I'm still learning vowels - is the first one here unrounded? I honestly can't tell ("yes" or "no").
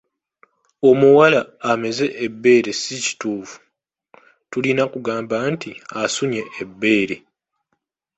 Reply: no